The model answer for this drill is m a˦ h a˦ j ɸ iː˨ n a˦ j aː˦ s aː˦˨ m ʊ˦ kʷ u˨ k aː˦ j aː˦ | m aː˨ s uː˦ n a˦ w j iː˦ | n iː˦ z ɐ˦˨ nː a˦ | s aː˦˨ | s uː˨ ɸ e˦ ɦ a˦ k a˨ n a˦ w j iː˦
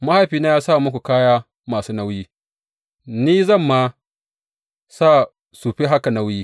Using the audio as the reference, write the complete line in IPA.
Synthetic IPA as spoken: m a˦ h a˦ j ɸ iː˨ n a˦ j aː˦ s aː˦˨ m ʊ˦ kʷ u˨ k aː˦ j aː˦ | m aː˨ s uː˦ n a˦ w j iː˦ | n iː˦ z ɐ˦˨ mː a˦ | s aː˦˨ | s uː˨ ɸ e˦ ɦ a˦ k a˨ n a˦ w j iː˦